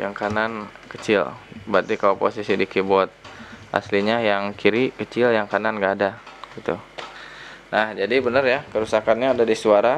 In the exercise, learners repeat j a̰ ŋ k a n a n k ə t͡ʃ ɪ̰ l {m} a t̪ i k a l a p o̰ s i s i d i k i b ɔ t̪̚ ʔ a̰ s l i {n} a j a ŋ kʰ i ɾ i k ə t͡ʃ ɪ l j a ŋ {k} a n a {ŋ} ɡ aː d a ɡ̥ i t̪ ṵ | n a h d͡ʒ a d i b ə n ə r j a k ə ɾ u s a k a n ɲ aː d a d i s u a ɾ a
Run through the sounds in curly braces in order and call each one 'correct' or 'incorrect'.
incorrect, incorrect, correct, incorrect

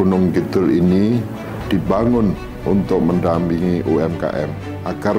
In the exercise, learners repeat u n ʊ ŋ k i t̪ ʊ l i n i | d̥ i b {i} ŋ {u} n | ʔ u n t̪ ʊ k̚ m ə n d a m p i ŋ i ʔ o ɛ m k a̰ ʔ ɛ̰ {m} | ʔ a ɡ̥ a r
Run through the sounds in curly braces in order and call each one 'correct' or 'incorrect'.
incorrect, incorrect, correct

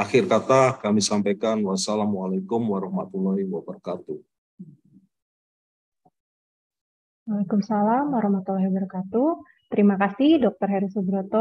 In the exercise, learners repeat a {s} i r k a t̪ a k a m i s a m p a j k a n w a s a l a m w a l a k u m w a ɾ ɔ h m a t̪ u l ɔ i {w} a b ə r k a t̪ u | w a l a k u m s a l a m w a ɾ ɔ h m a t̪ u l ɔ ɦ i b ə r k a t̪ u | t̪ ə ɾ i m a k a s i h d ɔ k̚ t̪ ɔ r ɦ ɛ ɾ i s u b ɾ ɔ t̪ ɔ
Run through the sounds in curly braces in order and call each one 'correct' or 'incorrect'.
incorrect, correct

